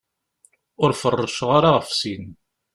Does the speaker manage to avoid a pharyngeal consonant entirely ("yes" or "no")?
yes